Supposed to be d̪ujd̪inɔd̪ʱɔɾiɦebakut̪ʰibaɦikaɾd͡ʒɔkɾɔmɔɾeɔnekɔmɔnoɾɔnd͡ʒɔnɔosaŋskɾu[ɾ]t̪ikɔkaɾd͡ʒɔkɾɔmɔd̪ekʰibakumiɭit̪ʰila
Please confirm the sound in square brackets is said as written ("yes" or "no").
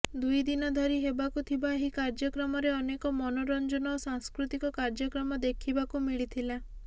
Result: no